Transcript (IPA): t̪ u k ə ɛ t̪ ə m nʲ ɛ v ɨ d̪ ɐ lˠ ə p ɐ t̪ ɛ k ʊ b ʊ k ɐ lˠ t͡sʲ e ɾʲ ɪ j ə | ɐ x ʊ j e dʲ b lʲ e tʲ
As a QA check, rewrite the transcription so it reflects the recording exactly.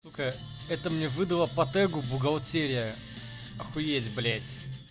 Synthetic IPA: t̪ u k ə ɛ t̪ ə m nʲ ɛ v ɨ d̪ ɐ lˠ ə p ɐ t̪ ɛ ɡ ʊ b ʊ ɡ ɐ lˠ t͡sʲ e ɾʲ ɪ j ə | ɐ x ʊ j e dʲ b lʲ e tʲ

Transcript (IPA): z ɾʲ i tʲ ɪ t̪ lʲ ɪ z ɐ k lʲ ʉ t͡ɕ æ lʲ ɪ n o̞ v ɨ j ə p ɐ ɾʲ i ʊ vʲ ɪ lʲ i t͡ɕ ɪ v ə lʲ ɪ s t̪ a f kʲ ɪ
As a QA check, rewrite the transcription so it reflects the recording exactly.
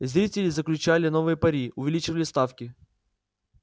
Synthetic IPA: z ɾʲ i tʲ ɪ lʲ ɪ z ə k lʲ ʉ t͡ɕ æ lʲ ɪ n o̞ v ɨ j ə p ɐ ɾʲ i ʊ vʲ ɪ lʲ i t͡ɕ ɪ v ə lʲ ɪ s t̪ a f kʲ ɪ

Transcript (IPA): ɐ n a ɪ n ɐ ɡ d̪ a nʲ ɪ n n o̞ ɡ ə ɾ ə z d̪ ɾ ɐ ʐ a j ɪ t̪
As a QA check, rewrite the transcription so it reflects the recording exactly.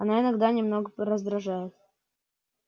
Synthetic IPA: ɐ n a ɪ n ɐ ɡ d̪ a nʲ ɪ m n o̞ ɡ ə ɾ ə z d̪ ɾ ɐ ʐ a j ɪ t̪

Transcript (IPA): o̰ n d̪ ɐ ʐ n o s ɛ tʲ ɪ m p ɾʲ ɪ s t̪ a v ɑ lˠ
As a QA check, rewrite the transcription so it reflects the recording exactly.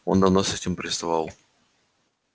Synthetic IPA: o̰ n d̪ ɐ v n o s ɛ tʲ ɪ m p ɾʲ ɪ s t̪ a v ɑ lˠ

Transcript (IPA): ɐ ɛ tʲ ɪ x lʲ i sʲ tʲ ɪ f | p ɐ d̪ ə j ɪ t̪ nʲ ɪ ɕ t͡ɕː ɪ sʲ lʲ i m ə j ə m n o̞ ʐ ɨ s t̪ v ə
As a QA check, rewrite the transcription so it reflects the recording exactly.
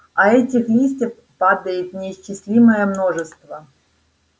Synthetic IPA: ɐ ɛ tʲ ɪ x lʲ i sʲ tʲ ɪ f | p a d̪ ə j ɪ t̪ nʲ ɪ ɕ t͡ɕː ɪ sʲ lʲ i m ə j ə m n o̞ ʐ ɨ s t̪ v ə

